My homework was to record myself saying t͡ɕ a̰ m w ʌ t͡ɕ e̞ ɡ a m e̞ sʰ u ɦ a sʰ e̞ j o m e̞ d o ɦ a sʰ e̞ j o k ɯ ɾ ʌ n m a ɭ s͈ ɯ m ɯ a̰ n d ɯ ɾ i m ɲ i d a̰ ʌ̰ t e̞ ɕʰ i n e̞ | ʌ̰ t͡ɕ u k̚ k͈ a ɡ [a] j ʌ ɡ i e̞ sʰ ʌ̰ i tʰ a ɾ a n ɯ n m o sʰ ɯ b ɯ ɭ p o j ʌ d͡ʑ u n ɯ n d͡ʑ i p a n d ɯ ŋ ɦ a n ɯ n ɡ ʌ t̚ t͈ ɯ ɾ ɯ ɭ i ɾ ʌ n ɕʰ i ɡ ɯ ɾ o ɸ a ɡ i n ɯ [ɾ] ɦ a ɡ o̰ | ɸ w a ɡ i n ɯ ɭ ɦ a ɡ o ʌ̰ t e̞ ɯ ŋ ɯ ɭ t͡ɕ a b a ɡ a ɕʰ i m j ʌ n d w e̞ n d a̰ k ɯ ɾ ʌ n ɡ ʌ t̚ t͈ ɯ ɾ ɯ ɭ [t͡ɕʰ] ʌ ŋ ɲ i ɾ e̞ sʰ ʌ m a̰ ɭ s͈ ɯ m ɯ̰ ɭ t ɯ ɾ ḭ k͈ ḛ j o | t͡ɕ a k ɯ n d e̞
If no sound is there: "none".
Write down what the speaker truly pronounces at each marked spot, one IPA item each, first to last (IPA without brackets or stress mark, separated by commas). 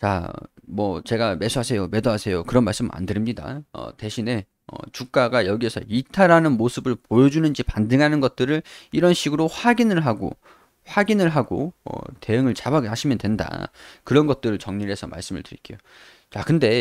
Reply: a, ɭ, t͡ɕ